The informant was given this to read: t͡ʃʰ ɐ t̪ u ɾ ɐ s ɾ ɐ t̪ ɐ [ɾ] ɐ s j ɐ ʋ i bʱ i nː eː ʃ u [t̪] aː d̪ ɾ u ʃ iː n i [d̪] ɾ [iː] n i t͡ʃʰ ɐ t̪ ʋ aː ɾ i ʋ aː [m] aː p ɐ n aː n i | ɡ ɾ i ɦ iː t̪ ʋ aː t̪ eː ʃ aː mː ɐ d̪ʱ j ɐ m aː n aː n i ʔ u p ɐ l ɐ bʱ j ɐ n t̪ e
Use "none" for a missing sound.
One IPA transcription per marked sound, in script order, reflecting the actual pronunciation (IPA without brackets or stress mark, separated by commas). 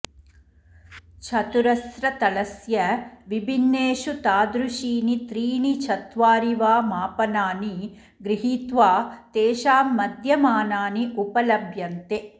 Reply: l, t̪, t̪, iː, m